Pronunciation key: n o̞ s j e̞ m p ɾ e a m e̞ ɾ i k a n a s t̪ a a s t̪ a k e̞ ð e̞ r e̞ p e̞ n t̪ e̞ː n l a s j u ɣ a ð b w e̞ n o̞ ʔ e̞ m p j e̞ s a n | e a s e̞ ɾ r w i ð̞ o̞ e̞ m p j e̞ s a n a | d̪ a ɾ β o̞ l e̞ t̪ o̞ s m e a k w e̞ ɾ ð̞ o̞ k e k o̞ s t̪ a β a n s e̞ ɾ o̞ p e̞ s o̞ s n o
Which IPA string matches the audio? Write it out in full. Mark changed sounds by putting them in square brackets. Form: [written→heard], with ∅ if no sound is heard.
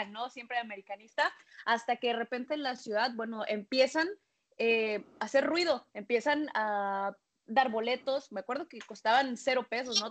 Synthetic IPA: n o̞ s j e̞ m p ɾ e a m e̞ ɾ i k a n [a→i] s t̪ a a s t̪ a k e̞ ð e̞ r e̞ p e̞ n t̪ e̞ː n l a s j u [ɣ→ð] a ð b w e̞ n o̞ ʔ e̞ m p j e̞ s a n | e a s e̞ ɾ r w i ð̞ o̞ e̞ m p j e̞ s a n a | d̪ a ɾ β o̞ l e̞ t̪ o̞ s m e a k w e̞ ɾ ð̞ o̞ k e k o̞ s t̪ a β a n s e̞ ɾ o̞ p e̞ s o̞ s n o